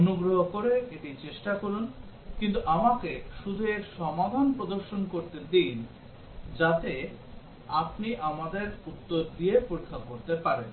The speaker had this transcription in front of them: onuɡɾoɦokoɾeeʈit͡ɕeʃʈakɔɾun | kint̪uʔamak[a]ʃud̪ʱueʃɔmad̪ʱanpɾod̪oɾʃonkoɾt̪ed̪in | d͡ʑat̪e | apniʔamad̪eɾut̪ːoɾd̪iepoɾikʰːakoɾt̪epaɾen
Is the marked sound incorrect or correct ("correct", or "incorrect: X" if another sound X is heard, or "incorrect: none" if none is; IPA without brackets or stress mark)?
incorrect: e